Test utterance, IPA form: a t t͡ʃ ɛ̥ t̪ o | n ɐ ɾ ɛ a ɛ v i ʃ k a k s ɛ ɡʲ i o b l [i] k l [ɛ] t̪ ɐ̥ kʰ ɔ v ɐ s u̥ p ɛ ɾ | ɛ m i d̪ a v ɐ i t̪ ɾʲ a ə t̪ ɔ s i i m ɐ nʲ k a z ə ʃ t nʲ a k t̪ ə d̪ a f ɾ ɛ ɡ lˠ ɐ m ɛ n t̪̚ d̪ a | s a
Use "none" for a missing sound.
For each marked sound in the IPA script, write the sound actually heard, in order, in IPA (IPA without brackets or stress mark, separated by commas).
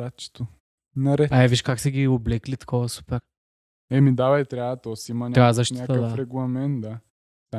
ɛ, i